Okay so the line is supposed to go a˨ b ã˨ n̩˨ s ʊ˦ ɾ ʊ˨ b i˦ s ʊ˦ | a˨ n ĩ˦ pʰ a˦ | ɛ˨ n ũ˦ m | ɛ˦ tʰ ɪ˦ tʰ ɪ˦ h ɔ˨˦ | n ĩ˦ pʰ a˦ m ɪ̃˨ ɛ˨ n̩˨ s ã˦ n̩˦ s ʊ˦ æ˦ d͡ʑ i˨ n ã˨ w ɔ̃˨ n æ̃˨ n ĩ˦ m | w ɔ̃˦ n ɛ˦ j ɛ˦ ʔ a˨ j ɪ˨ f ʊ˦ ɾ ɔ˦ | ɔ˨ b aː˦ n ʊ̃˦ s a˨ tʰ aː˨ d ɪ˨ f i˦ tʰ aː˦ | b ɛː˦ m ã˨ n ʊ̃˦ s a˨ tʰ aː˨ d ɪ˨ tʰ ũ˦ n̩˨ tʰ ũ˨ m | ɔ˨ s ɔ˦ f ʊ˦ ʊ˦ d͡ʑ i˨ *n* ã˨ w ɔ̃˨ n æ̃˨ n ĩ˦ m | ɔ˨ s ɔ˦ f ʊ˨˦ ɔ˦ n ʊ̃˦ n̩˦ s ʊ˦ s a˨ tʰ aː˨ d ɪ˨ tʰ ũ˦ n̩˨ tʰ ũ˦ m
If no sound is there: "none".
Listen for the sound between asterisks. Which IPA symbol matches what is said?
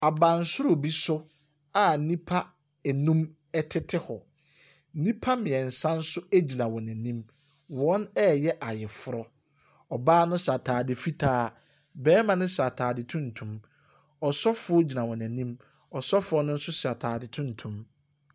n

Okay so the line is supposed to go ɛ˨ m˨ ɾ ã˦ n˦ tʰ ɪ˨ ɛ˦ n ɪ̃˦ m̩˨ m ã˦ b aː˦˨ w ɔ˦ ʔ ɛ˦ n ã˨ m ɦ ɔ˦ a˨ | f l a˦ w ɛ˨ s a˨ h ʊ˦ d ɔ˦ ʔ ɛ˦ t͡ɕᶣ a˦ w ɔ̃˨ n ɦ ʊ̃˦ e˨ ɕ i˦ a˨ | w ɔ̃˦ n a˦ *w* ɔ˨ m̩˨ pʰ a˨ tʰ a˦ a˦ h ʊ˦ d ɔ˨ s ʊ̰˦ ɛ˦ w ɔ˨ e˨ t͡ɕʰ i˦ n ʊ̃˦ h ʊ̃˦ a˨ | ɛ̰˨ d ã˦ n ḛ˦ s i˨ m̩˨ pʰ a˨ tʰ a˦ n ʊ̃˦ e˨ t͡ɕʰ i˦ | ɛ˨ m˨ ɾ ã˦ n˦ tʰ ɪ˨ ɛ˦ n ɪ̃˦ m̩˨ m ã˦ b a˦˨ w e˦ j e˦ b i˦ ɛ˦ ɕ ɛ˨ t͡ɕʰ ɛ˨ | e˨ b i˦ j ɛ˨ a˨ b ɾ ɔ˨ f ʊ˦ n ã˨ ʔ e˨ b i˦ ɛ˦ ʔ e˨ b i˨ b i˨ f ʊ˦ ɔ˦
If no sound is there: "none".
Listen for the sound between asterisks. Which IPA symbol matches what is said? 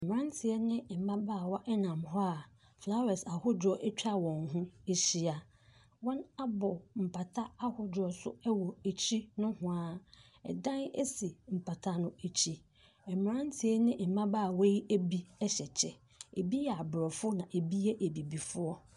b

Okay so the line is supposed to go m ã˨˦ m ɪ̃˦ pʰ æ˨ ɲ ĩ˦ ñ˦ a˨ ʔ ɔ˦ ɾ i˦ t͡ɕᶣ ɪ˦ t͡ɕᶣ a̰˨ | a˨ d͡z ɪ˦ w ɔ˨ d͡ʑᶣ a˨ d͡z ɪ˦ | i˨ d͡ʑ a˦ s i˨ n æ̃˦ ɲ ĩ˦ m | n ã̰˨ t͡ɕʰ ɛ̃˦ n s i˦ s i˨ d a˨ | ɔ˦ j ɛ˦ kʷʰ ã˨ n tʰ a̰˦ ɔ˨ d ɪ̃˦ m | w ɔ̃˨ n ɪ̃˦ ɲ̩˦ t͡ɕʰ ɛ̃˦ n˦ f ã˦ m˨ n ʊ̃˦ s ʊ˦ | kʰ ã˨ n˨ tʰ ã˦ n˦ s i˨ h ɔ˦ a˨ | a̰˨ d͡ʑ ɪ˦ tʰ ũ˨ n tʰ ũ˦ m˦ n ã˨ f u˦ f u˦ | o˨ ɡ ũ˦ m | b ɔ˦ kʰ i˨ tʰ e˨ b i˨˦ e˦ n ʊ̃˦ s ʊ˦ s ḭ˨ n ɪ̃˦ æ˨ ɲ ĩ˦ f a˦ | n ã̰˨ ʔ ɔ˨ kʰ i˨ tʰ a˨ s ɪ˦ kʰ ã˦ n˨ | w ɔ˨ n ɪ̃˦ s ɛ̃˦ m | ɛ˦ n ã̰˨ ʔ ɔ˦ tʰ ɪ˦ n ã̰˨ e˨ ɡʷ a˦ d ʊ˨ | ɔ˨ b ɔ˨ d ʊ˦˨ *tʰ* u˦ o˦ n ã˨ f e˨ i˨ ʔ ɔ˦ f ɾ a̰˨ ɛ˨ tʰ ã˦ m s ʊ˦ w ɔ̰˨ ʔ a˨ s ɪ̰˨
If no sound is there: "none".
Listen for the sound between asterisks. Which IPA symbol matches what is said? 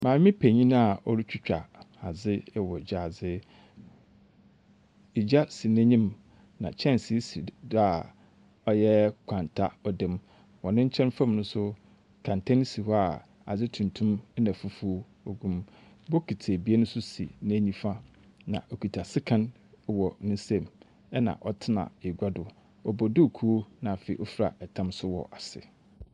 kʰ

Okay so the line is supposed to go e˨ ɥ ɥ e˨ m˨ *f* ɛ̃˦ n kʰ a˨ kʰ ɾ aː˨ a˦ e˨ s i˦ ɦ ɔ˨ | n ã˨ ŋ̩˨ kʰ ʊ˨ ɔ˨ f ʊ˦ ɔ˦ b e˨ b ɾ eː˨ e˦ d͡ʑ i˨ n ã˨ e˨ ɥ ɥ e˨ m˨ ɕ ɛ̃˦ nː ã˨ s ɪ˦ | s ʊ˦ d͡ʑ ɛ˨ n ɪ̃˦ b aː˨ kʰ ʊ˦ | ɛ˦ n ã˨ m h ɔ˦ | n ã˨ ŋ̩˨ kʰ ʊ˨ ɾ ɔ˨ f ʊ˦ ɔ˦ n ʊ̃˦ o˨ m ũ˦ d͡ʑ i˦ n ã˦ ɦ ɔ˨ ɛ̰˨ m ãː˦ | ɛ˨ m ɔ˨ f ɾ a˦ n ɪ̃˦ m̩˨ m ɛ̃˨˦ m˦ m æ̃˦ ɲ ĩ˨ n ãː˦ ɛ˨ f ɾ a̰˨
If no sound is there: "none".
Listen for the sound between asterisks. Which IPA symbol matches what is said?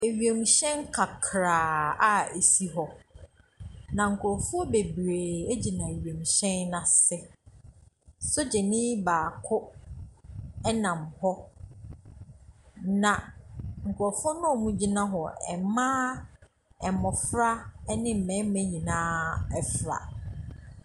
ɕ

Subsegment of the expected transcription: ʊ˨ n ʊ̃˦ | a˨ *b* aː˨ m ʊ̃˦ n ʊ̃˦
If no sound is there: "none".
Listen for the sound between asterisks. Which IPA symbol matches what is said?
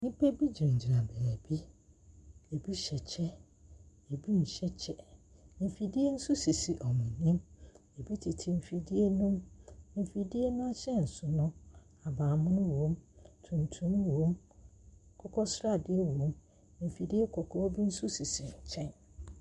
b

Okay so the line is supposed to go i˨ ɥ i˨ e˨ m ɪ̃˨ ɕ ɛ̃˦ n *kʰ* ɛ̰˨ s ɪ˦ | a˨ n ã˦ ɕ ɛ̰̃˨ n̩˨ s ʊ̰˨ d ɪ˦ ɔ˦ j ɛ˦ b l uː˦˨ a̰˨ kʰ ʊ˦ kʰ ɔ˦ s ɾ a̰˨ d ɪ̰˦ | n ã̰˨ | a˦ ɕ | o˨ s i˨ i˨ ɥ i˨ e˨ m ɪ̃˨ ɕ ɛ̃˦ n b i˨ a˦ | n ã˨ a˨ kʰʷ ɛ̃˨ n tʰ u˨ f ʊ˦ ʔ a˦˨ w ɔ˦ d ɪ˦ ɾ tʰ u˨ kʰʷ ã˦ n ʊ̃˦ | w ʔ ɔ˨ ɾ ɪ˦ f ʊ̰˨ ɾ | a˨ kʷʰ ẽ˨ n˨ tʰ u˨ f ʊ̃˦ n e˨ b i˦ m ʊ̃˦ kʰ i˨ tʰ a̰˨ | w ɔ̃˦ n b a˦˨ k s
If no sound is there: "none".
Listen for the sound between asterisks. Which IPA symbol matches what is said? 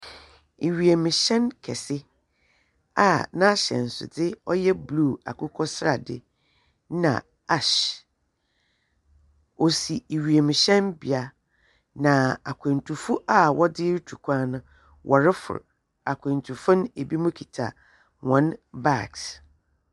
kʰ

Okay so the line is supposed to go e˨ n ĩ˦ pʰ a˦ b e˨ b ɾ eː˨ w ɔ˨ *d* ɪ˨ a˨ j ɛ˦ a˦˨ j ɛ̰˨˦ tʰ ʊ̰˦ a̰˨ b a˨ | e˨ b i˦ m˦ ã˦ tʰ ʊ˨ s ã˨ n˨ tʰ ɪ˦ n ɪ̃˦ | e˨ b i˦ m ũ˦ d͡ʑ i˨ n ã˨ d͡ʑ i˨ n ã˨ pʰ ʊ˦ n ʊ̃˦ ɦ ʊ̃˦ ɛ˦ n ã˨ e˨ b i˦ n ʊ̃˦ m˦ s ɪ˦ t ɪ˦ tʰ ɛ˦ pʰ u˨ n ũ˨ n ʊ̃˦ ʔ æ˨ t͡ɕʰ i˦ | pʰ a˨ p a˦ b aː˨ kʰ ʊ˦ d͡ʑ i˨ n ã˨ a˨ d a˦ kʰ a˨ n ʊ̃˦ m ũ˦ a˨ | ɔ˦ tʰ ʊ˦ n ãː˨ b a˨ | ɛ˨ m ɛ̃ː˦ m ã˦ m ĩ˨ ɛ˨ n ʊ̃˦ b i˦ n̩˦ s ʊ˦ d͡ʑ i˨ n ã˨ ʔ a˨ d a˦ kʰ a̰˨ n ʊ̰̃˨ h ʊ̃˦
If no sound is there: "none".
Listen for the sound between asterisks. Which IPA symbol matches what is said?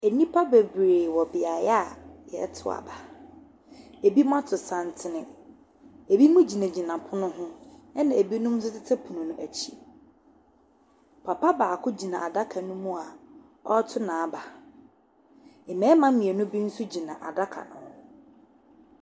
b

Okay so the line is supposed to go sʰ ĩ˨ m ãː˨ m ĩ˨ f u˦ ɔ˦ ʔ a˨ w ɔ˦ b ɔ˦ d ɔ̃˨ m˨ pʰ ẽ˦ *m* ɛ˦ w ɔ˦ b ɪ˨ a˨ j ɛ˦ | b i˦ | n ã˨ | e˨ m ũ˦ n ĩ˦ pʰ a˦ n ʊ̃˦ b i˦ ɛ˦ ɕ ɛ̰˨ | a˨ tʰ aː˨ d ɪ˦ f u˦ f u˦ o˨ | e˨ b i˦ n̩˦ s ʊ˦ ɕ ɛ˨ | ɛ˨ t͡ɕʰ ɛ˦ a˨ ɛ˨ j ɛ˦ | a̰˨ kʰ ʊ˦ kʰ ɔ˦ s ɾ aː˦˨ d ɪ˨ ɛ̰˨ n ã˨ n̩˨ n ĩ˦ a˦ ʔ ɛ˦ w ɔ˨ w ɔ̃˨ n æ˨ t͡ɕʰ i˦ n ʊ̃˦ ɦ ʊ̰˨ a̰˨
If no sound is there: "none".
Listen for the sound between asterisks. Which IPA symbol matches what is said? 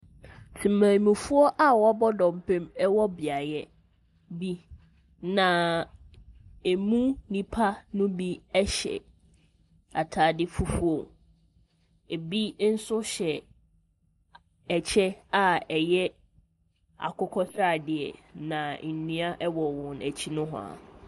m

